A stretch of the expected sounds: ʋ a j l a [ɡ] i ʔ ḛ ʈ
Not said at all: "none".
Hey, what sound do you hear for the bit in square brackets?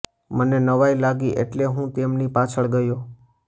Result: ɡ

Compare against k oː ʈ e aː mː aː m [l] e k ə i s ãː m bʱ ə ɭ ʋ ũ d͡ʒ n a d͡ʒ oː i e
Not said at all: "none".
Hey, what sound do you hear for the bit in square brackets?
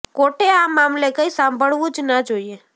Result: l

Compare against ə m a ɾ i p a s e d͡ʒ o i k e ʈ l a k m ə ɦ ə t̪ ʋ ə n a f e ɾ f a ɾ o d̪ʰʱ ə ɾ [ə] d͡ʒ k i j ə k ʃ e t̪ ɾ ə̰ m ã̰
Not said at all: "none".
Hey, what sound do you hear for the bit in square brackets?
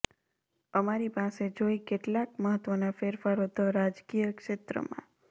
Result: a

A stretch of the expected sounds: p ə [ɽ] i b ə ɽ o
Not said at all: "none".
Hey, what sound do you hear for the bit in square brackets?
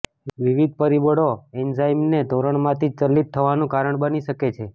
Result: ɾ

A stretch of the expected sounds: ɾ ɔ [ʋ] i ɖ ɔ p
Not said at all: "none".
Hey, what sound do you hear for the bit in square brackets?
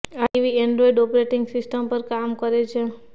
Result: none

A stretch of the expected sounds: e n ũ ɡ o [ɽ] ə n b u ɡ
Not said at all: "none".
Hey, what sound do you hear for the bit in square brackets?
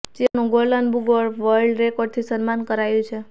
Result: l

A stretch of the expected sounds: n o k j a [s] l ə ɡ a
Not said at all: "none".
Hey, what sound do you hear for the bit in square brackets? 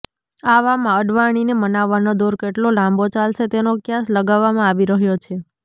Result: s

